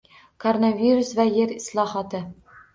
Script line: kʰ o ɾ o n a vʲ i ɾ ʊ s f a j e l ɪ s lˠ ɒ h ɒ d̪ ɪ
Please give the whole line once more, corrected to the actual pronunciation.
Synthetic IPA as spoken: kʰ o ɾ o n a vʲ i ɾ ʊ s v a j e ɾ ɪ s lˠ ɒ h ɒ t̪ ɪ

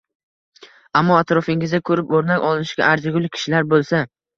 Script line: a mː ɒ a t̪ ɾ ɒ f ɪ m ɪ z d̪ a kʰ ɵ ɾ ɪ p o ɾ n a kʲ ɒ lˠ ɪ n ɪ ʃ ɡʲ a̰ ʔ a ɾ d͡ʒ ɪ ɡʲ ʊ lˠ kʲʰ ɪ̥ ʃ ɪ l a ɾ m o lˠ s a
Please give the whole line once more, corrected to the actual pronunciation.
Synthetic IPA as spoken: a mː ɒ a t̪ ɾ ɒ f ɪ ŋ ɪ z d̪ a kʰ ɵ ɾ ɪ p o ɾ n a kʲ ɒ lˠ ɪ n ɪ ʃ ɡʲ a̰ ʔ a ɾ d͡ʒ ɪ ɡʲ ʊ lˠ kʲʰ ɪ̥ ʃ ɪ l a ɾ b o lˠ s a

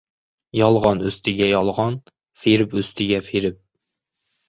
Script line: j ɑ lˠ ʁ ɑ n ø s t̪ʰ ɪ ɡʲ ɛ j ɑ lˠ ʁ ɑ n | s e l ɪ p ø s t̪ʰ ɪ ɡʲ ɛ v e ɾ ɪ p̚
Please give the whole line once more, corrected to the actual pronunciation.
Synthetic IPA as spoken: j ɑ lˠ ʁ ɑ n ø s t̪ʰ ɪ ɡʲ ɛ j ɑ lˠ ʁ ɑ n | f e ɾ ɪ p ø s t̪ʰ ɪ ɡʲ ɛ f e ɾ ɪ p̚

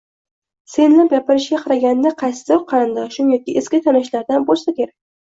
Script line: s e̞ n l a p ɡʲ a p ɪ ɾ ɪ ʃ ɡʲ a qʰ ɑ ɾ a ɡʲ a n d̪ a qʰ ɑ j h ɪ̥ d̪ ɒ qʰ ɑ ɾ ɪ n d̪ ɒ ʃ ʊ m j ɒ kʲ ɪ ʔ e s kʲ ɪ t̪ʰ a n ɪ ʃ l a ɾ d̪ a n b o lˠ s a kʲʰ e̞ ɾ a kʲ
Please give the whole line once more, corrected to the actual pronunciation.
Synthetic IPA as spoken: s e̞ n l a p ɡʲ a p ɪ ɾ ɪ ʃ ɡʲ a qʰ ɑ ɾ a ɡʲ a n d̪ a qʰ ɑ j s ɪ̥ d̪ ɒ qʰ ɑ ɾ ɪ n d̪ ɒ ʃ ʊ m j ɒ kʲ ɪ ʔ e s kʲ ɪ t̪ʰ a n ɪ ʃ l a ɾ d̪ a n b o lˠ s a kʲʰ e̞ ɾ a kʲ

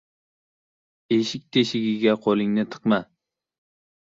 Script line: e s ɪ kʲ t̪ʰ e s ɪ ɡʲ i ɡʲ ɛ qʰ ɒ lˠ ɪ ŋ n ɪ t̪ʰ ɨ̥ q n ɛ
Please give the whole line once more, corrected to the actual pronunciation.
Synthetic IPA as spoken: e ʃ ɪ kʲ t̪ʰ e ʃ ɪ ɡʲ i ɡʲ ɛ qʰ o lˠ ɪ ŋ n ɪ t̪ʰ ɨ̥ q m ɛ

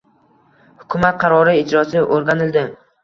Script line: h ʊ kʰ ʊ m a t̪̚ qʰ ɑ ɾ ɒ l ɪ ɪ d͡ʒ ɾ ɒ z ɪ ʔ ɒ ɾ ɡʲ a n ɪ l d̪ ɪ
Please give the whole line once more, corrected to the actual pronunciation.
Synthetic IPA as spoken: h ʊ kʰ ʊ m a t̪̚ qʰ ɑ ɾ ɒ ɾ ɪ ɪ d͡ʒ ɾ ɒ s ɪ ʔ o ɾ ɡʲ a n ɪ l d̪ ɪ

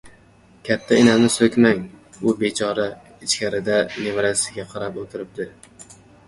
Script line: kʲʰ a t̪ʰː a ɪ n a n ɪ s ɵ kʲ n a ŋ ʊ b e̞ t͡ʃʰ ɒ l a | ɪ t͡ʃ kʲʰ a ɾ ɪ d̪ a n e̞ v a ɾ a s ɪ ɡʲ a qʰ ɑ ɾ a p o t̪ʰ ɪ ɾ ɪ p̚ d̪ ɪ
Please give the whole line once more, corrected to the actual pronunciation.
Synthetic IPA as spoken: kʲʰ a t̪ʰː a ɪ n a n ɪ s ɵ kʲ m a ŋ ʊ b e̞ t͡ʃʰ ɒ ɾ a | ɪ t͡ʃ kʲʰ a ɾ ɪ d̪ a n e̞ v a ɾ a s ɪ ɡʲ a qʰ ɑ ɾ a p o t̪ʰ ɪ ɾ ɪ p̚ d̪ ɪ

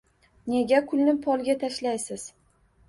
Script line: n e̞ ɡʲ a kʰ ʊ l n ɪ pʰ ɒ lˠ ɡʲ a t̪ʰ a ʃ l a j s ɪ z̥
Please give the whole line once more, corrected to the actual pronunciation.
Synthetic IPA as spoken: n e̞ ɡʲ a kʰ ʊ l n ɪ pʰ ɒ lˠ ɡʲ a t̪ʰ a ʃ l a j s ɪ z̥

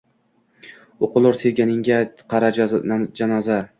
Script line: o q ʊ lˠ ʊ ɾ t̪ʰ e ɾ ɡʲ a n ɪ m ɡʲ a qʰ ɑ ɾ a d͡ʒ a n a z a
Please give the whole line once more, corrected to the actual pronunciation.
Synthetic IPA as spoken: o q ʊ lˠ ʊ ɾ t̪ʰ e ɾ ɡʲ a n ɪ ŋ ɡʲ a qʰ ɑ ɾ a d͡ʒ a n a z a

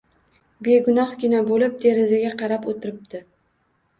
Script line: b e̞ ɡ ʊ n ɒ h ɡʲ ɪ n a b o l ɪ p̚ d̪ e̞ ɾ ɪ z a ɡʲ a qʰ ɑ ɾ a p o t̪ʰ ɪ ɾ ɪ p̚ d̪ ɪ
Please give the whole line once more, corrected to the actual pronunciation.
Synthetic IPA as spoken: b e̞ ɡ ʊ n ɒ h ɡʲ ɪ n a b o l ɪ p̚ d̪ e̞ ɾ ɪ z a ɡʲ a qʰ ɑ ɾ a p o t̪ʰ ɪ ɾ ɪ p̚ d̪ ɪ

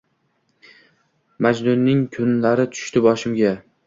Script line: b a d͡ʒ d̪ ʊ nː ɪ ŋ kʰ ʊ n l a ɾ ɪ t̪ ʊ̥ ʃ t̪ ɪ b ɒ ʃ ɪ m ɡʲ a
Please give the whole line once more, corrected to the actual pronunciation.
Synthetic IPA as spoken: m a d͡ʒ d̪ ʊ nː ɪ ŋ kʰ ʊ n l a ɾ ɪ t̪ʰ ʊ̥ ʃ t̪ ɪ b ɒ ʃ ɪ m ɡʲ a

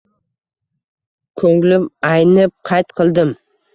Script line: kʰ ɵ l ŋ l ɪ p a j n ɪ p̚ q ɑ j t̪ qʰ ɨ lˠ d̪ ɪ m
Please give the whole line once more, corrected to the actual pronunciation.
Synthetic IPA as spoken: kʰ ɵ ŋ l ɪ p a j n ɪ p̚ qʰ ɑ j t̪ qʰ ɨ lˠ d̪ ɪ m

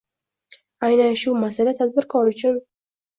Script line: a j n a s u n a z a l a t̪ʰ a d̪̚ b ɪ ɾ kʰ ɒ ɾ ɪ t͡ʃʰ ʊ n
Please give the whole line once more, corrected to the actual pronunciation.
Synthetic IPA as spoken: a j n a ʃ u m a s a l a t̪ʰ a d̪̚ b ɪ ɾ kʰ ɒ ɾ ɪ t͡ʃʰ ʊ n

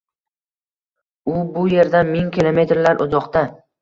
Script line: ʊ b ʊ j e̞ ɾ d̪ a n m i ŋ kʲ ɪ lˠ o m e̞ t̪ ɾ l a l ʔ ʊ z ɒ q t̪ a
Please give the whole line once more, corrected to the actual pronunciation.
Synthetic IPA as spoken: ʊ b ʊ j e̞ ɾ d̪ a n m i ŋ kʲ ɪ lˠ o m e̞ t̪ ɾ l a ɾ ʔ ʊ z ɒ q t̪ a

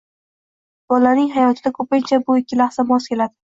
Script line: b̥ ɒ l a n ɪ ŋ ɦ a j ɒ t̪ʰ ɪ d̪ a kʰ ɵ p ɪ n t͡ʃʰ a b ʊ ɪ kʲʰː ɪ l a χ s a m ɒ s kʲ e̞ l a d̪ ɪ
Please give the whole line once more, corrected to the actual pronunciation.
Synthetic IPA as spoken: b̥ ɒ l a n ɪ ŋ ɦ a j ɒ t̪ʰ ɪ d̪ a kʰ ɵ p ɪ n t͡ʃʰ a b ʊ ɪ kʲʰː ɪ l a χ s a m ɒ s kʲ e̞ l a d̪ ɪ

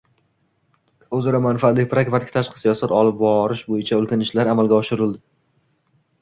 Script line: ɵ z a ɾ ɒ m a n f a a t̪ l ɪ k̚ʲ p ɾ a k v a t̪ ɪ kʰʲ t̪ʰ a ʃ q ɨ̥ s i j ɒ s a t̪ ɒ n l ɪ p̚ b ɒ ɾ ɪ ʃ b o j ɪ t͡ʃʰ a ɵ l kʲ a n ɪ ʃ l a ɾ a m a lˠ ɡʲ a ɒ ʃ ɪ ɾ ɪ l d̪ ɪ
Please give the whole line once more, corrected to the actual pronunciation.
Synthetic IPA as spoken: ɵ z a ɾ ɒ m a n f a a t̪ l ɪ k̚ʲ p ɾ a k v a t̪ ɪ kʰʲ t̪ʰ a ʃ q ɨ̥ s i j ɒ s a t̪ ɒ l ɪ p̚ b ɒ ɾ ɪ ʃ b o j ɪ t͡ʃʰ a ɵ l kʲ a n ɪ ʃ l a ɾ a m a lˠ ɡʲ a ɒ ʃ ɪ ɾ ɪ l d̪ ɪ

